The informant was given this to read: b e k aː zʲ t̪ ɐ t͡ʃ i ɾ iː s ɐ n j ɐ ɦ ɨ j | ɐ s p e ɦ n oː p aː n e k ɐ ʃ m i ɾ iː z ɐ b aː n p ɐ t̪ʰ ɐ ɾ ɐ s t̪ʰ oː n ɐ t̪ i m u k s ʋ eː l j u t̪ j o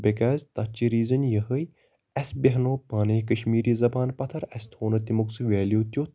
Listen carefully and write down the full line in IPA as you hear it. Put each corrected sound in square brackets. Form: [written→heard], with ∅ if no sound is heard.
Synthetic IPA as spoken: b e k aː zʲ t̪ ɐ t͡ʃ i ɾ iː [s→z] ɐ n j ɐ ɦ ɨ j | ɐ s [p→b] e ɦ n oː p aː n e k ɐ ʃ m [i→iː] ɾ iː z ɐ b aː n p ɐ t̪ʰ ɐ ɾ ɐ s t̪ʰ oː n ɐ t̪ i m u k s ʋ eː l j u t̪ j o